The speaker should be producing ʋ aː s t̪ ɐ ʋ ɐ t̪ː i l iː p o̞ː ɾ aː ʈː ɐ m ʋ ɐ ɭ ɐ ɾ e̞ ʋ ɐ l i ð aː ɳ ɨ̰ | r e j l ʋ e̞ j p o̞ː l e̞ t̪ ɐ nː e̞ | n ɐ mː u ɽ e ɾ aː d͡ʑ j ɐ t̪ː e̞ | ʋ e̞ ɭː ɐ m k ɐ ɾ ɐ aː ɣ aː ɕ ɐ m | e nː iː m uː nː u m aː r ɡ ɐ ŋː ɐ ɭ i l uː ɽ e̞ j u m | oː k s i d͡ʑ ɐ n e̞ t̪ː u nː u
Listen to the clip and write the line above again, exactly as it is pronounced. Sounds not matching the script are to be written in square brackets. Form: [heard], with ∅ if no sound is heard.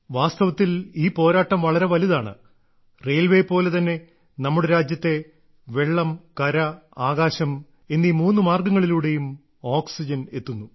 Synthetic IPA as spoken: ʋ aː s t̪ ɐ ʋ ɐ t̪ː i l iː p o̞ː ɾ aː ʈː ɐ m ʋ ɐ ɭ ɐ ɾ e̞ ʋ ɐ l i ð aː ɳ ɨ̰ | r e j l ʋ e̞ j p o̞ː l e̞ t̪ ɐ nː e̞ | n ɐ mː u ɽ e ɾ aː d͡ʑ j ɐ t̪ː e̞ | ʋ e̞ ɭː ɐ m k ɐ ɾ ɐ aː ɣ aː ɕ ɐ m | e nː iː m uː nː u m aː r ɡ ɐ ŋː ɐ ɭ i l uː ɽ e̞ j u m | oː k s i d͡ʑ ɐ n e̞ t̪ː u nː u